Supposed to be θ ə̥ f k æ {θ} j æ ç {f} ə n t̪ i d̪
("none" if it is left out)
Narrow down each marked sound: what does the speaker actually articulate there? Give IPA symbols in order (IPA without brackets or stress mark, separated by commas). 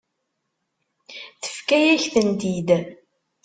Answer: none, θ